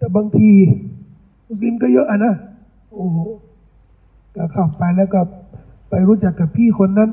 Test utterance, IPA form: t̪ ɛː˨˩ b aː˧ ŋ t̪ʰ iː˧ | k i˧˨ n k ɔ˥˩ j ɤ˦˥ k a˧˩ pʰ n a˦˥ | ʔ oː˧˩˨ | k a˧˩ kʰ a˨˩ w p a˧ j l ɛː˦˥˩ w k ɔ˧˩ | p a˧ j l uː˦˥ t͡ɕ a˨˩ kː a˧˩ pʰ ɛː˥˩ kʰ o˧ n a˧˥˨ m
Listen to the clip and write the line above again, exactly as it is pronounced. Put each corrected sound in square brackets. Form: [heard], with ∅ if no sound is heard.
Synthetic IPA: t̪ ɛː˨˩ b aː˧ ŋ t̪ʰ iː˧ | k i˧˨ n k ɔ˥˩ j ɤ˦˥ [ʔ] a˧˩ [∅] n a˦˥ | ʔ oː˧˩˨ | k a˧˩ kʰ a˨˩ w p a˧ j l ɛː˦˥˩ w k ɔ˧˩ | p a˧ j [ɾ] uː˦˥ t͡ɕ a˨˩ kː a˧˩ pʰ [iː˥˩] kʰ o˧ [nː] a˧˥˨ [n]